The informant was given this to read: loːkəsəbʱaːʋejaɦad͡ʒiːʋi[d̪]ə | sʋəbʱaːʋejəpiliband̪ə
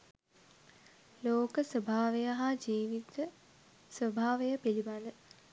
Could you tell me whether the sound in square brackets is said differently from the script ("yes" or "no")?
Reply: yes